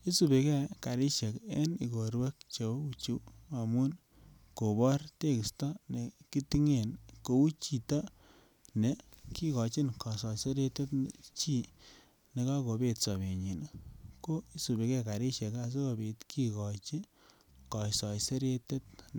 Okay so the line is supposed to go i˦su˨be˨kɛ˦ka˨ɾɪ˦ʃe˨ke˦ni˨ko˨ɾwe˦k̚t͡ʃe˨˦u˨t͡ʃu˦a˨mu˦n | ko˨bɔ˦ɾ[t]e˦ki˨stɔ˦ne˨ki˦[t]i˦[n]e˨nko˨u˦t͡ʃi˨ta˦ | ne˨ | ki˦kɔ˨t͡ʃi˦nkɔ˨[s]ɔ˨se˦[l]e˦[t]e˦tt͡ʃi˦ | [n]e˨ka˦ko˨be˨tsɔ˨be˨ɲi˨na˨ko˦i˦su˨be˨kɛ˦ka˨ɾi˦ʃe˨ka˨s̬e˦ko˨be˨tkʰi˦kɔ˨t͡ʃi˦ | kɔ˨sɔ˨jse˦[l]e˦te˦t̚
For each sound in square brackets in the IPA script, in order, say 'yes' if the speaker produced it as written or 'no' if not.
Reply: yes, yes, no, yes, no, yes, yes, no

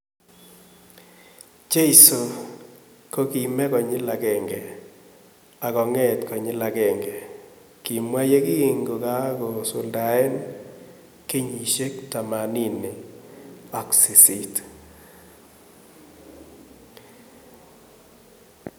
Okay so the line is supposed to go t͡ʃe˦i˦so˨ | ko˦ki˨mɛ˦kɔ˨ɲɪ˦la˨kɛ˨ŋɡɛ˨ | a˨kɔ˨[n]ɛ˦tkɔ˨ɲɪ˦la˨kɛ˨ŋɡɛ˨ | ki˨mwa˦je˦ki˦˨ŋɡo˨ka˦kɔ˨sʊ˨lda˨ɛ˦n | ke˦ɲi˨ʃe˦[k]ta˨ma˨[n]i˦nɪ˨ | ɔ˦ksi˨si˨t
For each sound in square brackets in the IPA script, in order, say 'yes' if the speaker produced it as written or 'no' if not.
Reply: no, yes, yes

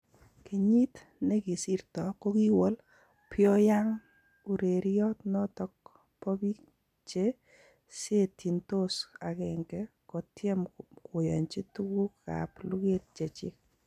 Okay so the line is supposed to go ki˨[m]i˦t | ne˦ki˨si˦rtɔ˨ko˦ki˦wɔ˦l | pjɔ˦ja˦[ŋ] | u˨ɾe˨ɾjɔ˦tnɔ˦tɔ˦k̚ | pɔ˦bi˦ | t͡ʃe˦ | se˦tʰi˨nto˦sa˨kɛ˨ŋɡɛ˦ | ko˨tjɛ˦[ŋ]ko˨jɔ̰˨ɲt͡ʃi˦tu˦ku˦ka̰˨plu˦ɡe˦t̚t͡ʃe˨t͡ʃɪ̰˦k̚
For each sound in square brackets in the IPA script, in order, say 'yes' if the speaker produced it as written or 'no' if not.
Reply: no, yes, no

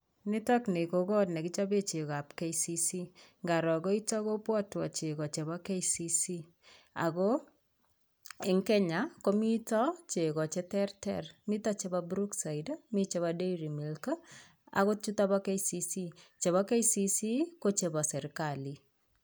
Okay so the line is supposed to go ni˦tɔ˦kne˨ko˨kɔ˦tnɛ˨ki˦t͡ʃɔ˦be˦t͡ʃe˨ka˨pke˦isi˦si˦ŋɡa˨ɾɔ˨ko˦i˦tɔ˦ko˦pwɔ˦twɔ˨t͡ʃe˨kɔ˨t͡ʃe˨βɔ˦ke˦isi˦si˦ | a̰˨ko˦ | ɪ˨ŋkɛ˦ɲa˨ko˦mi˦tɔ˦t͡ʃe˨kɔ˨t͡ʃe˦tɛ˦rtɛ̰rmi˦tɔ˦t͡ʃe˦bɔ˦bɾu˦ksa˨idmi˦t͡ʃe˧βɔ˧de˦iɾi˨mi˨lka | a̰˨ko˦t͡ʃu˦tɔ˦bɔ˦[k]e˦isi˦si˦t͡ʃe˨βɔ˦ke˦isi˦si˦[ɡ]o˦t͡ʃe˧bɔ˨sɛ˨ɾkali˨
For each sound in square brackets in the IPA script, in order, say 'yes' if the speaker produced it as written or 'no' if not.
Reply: yes, no

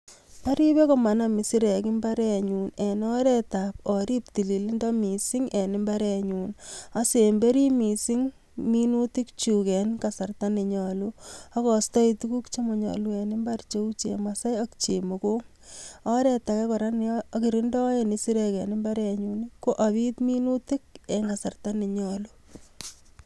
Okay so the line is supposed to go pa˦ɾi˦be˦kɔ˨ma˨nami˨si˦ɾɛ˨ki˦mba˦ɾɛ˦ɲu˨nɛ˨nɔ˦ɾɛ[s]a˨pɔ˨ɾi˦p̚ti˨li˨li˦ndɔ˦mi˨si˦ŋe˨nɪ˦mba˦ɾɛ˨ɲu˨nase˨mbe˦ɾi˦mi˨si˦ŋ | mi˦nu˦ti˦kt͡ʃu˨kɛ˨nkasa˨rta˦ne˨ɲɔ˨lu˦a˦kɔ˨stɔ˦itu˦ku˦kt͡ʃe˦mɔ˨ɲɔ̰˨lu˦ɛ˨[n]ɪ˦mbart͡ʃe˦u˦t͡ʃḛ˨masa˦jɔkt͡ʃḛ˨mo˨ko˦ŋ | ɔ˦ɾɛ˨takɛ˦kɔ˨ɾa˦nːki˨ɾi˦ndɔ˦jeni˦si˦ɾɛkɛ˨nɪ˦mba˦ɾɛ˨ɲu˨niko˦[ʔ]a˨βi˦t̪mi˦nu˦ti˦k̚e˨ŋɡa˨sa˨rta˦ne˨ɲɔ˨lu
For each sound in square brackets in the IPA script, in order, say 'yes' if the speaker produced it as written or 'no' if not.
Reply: no, yes, yes

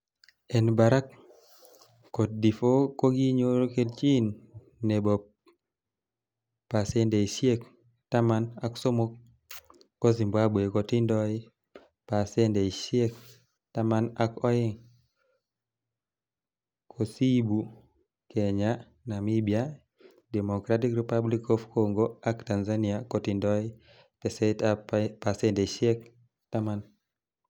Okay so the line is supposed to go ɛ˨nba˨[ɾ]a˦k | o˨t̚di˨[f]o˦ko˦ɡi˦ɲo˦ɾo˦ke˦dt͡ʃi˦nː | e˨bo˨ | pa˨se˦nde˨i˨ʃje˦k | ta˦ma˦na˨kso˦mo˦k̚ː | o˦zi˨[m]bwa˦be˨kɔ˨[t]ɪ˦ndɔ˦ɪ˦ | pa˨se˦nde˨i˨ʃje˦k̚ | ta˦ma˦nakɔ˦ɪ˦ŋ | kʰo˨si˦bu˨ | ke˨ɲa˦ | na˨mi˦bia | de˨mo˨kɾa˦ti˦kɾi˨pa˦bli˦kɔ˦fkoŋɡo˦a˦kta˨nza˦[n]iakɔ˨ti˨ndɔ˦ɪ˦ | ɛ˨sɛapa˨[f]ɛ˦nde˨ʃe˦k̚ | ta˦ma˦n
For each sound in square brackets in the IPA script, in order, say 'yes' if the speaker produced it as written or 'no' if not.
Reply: yes, yes, yes, yes, yes, no

